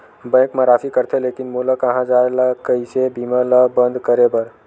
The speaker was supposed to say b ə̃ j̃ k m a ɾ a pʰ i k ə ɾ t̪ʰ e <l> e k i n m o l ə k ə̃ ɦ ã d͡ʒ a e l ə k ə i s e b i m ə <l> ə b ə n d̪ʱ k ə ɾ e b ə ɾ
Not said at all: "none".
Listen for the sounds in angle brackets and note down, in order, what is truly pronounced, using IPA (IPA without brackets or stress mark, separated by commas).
l, l